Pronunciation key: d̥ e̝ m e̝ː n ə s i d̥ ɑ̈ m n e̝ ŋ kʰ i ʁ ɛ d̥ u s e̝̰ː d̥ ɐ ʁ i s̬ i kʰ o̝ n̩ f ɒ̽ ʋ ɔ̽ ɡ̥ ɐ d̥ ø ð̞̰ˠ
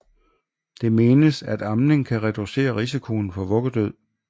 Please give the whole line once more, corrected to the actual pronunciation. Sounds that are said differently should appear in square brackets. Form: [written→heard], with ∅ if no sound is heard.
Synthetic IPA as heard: d̥ e̝ m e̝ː n ə s [i→æ] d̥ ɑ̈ m n e̝ ŋ kʰ [i→æ] ʁ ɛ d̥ u s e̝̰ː [d̥→∅] ɐ ʁ i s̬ i kʰ o̝ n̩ f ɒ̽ ʋ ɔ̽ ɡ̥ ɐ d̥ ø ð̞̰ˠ